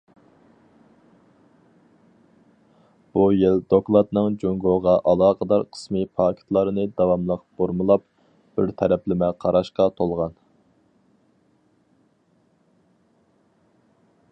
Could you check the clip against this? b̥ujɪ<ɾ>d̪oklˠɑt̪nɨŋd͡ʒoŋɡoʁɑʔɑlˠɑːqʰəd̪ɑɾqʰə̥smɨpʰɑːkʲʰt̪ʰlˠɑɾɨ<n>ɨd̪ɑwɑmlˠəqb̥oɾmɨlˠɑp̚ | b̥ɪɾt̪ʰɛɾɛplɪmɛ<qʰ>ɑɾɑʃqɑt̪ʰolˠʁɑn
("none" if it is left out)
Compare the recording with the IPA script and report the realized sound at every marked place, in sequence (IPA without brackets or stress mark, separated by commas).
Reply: l, n, qʰ